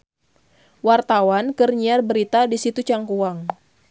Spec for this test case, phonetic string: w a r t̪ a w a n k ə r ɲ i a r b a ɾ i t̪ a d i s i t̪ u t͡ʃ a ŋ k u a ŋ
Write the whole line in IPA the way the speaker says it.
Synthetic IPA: w a r t̪ a w a n k ə r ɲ i a r b ə ɾ i t̪ a d i s i t̪ u t͡ʃ a ŋ k u a ŋ